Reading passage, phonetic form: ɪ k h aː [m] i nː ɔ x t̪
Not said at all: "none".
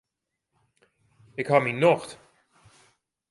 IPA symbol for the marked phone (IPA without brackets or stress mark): m